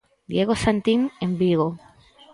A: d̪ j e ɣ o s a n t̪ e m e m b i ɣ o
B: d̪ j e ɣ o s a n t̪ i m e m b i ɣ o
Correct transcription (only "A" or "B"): B